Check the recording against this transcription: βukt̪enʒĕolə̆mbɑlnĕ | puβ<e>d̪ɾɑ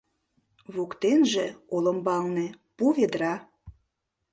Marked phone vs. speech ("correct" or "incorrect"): correct